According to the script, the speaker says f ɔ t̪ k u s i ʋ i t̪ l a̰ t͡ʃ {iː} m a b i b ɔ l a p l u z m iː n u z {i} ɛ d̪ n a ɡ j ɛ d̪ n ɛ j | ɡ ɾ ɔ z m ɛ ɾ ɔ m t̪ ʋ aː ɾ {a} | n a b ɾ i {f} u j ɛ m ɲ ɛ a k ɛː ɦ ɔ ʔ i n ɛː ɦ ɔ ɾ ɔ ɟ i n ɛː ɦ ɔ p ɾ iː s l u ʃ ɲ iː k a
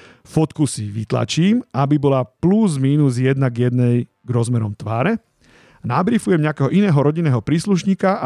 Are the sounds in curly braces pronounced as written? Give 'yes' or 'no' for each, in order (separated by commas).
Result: yes, no, no, yes